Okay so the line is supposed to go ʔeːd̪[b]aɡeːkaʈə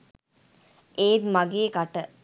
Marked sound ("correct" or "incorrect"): incorrect